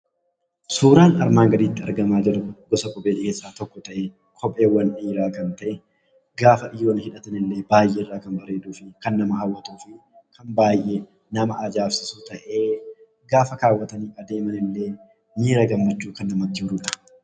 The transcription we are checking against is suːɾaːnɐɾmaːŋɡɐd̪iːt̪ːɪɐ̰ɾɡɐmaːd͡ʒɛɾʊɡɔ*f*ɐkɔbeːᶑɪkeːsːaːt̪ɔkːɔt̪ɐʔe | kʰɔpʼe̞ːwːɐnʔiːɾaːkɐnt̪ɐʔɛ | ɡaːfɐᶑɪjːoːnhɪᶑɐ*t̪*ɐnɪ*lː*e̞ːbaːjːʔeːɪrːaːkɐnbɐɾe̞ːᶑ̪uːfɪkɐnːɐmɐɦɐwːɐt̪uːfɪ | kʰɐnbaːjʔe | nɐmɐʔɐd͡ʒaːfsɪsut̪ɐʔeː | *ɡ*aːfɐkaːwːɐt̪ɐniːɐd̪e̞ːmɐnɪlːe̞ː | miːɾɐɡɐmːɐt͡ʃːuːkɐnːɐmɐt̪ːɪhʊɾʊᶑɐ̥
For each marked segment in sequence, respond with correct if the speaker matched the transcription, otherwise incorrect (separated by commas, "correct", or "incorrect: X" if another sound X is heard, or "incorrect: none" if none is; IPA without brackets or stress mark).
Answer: incorrect: s, correct, correct, correct